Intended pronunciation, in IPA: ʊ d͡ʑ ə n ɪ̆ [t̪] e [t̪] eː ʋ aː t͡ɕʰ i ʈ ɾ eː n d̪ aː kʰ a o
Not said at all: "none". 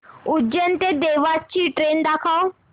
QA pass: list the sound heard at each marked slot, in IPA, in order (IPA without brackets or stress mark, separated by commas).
t̪, d̪